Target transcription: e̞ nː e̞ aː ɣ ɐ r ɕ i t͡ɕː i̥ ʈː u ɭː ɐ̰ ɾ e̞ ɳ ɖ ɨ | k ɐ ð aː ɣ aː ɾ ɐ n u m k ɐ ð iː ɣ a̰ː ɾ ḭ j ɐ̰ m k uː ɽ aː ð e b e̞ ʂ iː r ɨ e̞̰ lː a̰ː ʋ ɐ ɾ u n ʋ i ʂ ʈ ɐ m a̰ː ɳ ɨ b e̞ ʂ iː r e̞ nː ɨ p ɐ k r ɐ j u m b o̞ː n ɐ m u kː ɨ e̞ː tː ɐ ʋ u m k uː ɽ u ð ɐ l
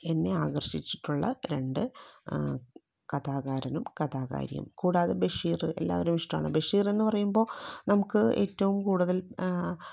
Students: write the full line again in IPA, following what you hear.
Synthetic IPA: e̞ nː e̞ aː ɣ ɐ r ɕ i t͡ɕː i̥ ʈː u ɭː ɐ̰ ɾ e̞ ɳ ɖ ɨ | k ɐ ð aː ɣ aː ɾ ɐ n u m k ɐ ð aː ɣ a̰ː ɾ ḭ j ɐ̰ m k uː ɽ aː ð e b e̞ ʂ iː r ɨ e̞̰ lː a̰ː ʋ ɐ ɾ u m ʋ i ʂ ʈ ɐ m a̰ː ɳ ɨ b e̞ ʂ iː r e̞ nː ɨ p ɐ r ɐ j u m b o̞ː n ɐ m u kː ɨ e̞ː tː ɐ ʋ u m k uː ɽ u ð ɐ l